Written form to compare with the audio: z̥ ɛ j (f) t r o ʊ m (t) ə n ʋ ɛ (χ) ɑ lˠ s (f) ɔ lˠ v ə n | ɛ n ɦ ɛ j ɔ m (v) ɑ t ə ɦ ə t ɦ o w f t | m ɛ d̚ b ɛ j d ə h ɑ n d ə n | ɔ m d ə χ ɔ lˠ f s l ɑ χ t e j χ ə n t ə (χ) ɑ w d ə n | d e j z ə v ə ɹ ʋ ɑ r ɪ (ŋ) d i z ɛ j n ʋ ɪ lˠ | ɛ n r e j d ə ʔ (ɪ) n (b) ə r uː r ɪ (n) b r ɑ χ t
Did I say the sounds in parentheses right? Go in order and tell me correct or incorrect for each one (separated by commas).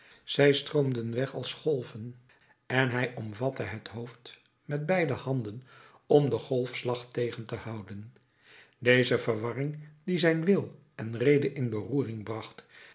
incorrect, incorrect, correct, incorrect, correct, incorrect, correct, correct, correct, incorrect